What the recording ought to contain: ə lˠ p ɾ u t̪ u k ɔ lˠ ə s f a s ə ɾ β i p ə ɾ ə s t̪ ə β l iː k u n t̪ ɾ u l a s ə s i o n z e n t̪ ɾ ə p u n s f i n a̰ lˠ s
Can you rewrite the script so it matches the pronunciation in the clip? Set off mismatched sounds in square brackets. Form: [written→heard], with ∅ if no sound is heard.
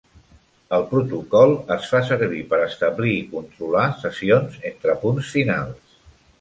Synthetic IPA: ə lˠ p ɾ u t̪ u k ɔ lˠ ə s f a s ə ɾ β i p ə ɾ ə s t̪ ə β l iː k u n t̪ ɾ u l a s ə s i o n z e n t̪ ɾ ə p u n s f i n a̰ lˠ s

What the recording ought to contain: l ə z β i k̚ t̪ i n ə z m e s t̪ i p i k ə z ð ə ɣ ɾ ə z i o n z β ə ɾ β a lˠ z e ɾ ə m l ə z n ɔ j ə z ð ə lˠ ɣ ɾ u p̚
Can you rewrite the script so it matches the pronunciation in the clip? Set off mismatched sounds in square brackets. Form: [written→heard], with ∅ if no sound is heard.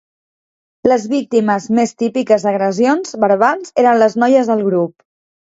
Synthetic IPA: l ə z β i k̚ t̪ i [n→m] ə z m e s t̪ i p i k ə z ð ə ɣ ɾ ə z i o n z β ə ɾ β a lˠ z e ɾ ə [m→n] l ə z n ɔ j ə z ð ə lˠ ɣ ɾ u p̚

